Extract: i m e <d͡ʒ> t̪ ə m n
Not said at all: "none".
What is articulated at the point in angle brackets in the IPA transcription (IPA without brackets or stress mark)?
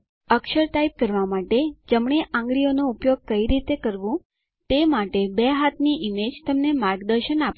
d͡ʒ